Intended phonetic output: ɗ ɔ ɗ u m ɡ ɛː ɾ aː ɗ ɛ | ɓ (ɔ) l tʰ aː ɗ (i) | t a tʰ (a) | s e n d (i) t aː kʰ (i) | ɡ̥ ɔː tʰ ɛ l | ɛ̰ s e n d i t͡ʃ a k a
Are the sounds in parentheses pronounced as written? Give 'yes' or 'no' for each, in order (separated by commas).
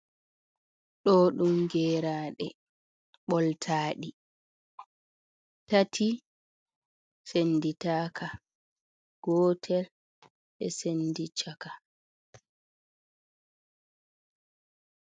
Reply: yes, yes, no, yes, no